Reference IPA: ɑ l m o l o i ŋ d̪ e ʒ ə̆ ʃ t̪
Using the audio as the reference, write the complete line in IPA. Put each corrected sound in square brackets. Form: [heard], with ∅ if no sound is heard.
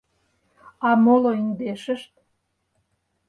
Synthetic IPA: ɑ [∅] m o l o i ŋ d̪ e [ʃ] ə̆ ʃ t̪